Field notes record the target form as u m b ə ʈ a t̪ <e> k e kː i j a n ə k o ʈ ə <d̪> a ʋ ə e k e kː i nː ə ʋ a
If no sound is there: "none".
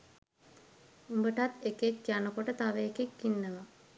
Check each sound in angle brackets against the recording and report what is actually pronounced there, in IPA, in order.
e, t̪

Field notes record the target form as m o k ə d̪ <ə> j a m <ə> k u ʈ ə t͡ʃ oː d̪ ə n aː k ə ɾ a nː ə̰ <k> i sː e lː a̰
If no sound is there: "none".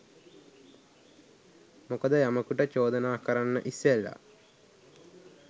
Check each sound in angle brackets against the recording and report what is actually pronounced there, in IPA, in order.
ə, ə, ʔ

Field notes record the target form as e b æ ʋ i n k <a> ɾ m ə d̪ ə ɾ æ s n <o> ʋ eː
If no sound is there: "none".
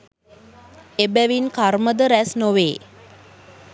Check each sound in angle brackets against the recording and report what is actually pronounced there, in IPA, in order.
a, o

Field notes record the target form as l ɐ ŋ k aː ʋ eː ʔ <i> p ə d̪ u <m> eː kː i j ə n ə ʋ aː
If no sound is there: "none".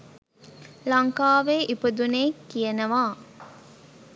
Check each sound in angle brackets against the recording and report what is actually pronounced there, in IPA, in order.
i, n

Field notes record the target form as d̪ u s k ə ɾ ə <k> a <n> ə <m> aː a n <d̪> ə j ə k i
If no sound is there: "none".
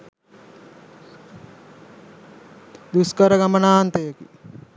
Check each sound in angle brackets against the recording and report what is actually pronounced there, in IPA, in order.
ɡ, m, n, t̪

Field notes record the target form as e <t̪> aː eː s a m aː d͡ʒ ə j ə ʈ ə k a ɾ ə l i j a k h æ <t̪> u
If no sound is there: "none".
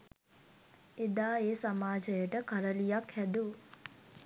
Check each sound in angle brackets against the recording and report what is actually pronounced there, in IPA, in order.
d̪, d̪

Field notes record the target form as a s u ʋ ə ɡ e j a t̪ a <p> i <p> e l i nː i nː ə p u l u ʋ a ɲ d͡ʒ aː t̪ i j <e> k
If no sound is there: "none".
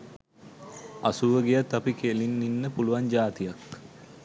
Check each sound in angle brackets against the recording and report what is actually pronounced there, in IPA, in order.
p, k, a

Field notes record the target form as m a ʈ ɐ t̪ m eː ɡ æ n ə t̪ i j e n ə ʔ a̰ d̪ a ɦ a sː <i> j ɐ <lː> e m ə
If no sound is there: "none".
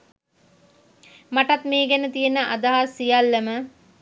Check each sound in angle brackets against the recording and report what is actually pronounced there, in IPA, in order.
i, lː

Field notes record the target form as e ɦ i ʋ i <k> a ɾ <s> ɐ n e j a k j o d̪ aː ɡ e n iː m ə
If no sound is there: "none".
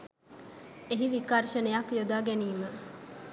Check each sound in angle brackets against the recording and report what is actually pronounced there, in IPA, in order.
k, ʃ

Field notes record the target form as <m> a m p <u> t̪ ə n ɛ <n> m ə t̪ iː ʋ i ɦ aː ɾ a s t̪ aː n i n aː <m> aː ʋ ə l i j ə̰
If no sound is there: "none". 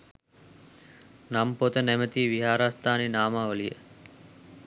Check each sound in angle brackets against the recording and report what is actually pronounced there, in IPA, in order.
n, o, none, m

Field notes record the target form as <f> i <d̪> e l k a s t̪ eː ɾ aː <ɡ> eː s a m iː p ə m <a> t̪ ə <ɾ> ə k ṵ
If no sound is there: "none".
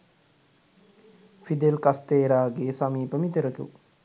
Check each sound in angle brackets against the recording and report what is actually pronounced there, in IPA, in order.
f, d̪, ɡ, i, ɾ

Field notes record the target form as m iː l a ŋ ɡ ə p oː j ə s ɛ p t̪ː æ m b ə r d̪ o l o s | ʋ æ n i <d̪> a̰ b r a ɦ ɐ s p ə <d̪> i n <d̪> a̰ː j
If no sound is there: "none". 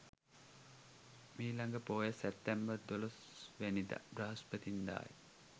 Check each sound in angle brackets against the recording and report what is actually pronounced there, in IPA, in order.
d̪, t̪, d̪

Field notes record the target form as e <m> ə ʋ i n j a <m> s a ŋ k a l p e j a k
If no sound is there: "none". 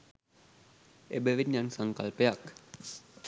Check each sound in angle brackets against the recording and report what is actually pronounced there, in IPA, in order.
b, n

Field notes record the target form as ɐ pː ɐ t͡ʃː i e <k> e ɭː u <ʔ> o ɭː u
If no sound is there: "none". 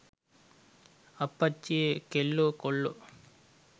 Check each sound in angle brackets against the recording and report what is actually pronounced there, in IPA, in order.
k, k

